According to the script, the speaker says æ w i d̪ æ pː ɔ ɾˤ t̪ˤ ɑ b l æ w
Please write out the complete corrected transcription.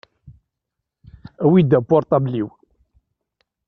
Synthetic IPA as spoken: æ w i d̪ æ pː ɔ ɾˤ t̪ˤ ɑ b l i w